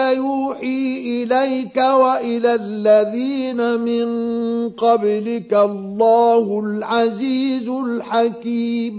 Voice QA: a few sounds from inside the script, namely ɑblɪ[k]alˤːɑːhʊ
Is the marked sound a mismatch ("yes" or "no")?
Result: no